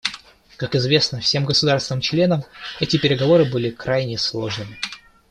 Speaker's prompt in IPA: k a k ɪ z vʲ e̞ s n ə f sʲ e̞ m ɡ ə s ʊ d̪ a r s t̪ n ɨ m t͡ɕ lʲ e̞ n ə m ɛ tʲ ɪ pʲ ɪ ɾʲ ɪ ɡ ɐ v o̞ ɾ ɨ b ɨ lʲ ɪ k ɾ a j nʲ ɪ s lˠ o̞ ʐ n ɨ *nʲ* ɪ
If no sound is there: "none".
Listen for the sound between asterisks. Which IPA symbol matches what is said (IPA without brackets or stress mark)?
mʲ